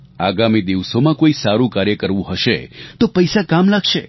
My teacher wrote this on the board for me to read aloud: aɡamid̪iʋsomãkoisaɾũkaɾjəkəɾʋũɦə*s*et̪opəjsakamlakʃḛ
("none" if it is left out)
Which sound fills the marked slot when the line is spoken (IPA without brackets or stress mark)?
ʃ